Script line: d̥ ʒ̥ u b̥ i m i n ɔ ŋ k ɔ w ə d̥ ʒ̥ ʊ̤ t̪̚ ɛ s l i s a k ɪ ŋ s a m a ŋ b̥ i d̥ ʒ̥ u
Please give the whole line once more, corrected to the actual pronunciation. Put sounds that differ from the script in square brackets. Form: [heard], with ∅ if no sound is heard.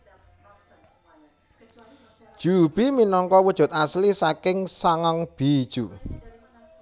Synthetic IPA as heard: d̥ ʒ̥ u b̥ i m i n ɔ ŋ k ɔ w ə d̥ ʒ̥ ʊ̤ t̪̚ [a] s l i s a k ɪ ŋ s a [ŋ] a ŋ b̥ i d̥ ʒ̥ u

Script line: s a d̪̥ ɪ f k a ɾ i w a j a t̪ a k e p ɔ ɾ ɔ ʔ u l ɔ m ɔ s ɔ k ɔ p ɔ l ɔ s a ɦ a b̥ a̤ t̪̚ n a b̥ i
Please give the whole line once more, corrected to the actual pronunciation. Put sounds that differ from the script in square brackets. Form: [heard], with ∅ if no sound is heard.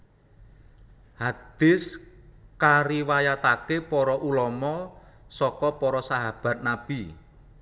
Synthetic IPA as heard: [h] a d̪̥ ɪ [s] k a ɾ i w a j a t̪ a k e p ɔ ɾ ɔ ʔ u l ɔ m ɔ s ɔ k ɔ p ɔ [ɾ] ɔ s a ɦ a b̥ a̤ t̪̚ n a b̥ i

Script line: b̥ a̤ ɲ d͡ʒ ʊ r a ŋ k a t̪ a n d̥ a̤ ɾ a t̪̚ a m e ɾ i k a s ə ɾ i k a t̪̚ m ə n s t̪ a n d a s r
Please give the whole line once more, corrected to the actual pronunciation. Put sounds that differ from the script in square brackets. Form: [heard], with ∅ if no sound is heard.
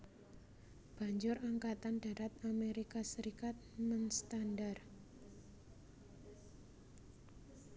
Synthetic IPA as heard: b̥ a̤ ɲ d͡ʒ ʊ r a ŋ k a t̪ a n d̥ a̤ ɾ a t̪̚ a m e ɾ i k a s ə ɾ i k a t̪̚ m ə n s t̪ a n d a [∅] r

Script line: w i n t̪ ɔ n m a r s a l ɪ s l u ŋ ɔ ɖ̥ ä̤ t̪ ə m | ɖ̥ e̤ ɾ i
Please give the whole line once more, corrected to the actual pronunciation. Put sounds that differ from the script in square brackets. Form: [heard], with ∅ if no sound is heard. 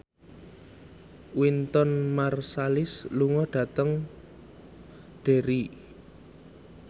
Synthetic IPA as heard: w i n t̪ ɔ n m a r s a l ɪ s l u ŋ ɔ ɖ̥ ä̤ t̪ ə [ŋ] | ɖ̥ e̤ ɾ i

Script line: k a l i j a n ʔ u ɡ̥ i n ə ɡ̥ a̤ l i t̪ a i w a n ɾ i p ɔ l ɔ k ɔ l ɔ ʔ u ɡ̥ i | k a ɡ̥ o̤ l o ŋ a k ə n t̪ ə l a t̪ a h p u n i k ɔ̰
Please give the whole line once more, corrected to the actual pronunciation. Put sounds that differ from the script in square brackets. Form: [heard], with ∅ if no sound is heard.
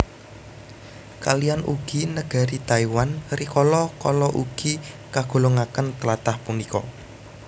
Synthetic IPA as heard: k a l i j a n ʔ u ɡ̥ i n ə ɡ̥ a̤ [ɾ] i t̪ a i w a n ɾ i [k] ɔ l ɔ k ɔ l ɔ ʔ u ɡ̥ i | k a ɡ̥ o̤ l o ŋ a k ə n t̪ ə l a t̪ a h p u n i k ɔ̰

